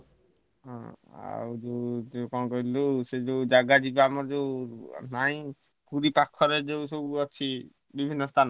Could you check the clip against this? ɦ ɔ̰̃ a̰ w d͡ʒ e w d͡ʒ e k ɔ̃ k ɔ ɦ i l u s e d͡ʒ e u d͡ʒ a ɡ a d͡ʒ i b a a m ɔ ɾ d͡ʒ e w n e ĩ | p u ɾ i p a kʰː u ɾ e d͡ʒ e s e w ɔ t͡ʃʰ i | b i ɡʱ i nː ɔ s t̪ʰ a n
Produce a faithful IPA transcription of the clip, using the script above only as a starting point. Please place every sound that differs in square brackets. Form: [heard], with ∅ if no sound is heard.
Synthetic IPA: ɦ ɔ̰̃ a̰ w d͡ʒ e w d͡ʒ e k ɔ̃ k ɔ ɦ i l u s e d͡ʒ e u d͡ʒ a ɡ a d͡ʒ i b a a m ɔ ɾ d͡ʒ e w n [a] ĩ | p u ɾ i p a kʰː [ɔ] ɾ e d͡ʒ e s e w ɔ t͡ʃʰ i | b i [bʱ] i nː ɔ s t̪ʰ a n